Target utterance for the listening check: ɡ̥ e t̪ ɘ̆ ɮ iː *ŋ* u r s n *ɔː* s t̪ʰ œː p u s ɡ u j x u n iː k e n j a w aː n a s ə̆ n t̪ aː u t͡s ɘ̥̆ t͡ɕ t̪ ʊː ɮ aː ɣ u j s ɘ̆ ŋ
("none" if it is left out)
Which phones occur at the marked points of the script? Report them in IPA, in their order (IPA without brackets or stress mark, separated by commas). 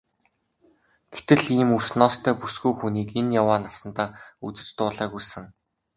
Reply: m, ɔː